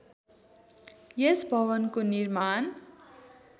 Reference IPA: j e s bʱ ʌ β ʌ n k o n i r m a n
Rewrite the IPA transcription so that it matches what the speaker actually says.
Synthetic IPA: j e s bʱ ʌ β ʌ n k o n i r m a n